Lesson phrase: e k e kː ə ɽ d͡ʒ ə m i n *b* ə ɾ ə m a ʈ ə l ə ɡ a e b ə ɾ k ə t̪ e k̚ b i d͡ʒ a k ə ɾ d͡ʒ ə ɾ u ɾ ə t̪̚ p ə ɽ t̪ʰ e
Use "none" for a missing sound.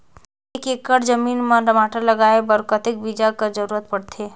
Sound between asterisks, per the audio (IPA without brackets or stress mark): m